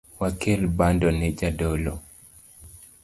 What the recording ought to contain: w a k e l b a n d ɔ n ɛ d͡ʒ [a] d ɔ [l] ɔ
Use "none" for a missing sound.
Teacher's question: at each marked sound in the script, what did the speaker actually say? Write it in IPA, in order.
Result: a, l

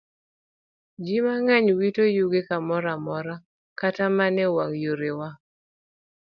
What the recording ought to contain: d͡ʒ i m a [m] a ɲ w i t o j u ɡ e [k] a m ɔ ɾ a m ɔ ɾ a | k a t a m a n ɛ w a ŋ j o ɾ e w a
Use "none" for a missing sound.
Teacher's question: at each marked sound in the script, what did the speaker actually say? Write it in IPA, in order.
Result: ŋ, k

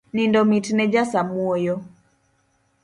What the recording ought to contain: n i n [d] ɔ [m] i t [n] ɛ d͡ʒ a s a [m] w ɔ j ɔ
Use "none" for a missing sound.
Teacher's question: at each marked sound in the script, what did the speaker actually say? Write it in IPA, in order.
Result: d, m, n, m

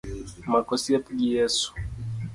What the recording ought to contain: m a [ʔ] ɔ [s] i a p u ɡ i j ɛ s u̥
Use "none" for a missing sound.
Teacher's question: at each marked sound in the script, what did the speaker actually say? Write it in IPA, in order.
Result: k, s

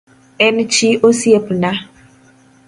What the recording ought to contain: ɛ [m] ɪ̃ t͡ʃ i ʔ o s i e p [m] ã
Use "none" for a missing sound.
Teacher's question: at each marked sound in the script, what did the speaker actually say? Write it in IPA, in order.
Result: n, n

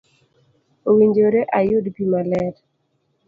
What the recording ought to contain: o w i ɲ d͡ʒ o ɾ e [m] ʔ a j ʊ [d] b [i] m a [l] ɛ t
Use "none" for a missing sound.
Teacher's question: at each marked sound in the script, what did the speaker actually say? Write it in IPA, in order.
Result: none, d, i, l

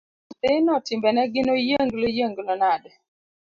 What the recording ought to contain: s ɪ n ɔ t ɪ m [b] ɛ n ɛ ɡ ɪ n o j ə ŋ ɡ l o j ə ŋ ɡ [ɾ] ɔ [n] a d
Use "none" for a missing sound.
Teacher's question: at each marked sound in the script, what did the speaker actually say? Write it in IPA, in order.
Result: b, l, n

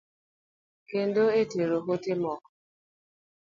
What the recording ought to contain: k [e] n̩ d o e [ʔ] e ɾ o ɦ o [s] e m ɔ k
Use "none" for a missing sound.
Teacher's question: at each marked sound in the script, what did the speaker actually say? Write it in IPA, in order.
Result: e, t, t

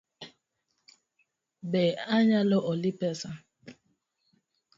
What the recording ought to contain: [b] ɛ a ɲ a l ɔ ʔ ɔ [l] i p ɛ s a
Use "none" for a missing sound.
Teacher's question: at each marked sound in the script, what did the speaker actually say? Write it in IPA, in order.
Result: b, l

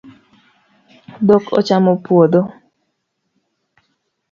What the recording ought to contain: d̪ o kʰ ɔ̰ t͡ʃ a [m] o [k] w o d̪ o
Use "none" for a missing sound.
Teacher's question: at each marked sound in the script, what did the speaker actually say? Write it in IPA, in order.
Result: m, p

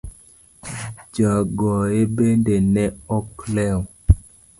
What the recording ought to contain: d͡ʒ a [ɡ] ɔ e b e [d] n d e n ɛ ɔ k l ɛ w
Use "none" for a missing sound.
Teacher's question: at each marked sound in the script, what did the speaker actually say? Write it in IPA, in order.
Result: ɡ, none

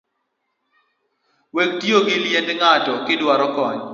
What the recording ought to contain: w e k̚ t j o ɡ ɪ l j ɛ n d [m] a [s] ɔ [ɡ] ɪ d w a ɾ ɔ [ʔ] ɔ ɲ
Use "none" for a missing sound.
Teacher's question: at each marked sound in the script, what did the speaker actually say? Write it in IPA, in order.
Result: ŋ, t, k, k

